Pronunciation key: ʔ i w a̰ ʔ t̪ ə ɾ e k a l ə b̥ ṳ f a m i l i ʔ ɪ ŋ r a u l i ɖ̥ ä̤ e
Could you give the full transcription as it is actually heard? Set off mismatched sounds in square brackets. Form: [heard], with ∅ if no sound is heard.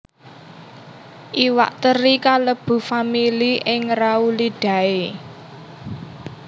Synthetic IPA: ʔ i w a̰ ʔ t̪ ə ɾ [i] k a l ə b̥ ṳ f a m i l i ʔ ɪ ŋ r a u l i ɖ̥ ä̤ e